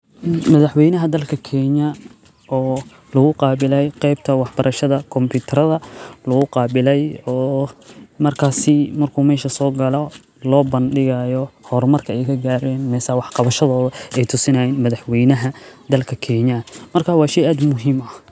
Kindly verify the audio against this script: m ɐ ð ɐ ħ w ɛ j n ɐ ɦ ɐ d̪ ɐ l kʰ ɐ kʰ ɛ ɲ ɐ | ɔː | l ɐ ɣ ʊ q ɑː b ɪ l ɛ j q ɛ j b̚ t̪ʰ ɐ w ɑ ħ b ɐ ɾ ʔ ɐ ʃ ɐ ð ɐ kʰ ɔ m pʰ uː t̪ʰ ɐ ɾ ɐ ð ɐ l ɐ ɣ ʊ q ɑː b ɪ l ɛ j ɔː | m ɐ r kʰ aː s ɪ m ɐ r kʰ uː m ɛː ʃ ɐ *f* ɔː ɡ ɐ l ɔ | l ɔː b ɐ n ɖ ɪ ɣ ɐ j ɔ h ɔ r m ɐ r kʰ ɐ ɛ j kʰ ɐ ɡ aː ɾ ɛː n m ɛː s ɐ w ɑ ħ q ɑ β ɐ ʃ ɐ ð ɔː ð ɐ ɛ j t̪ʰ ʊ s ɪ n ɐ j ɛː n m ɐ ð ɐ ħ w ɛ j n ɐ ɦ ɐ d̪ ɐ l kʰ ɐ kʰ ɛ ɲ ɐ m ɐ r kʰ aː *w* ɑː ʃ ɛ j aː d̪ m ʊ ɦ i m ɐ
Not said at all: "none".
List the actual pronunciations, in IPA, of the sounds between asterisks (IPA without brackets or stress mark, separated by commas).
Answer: s, w